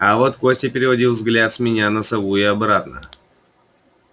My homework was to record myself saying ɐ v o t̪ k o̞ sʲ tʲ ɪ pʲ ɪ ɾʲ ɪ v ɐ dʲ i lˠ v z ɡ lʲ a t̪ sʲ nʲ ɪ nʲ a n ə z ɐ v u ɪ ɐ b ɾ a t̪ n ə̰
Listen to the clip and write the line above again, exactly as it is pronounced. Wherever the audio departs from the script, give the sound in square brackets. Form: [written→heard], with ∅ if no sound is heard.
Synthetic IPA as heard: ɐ v o t̪ k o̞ sʲ tʲ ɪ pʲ ɪ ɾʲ ɪ v ɐ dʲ i lˠ v z ɡ lʲ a t̪ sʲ [nʲ→mʲ] ɪ nʲ a n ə [z→s] ɐ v u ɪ ɐ b ɾ a t̪ n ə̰